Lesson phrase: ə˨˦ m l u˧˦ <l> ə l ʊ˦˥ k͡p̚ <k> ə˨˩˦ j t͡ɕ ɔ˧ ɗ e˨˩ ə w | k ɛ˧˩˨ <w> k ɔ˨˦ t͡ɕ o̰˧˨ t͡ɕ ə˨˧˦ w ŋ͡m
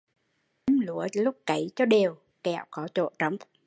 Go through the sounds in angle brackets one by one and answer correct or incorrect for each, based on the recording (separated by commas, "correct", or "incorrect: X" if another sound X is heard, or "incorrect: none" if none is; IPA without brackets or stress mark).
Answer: incorrect: none, correct, correct